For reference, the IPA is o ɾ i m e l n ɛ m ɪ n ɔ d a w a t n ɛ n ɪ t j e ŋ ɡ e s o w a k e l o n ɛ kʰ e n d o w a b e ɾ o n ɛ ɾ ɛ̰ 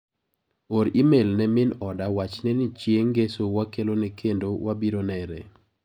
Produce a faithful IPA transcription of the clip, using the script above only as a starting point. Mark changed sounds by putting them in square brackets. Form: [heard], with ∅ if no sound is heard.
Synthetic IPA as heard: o ɾ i m e l n ɛ m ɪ n ɔ d a w a [t͡ʃ] n ɛ n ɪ [t͡ʃ] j e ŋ ɡ e s o w a k e l o n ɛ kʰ e n d o w a b [i] ɾ o n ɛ ɾ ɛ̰